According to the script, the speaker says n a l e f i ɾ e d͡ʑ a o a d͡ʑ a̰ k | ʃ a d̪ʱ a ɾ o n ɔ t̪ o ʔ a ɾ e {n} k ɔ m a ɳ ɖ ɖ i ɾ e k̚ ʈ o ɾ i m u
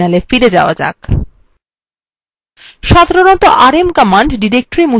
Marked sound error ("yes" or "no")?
yes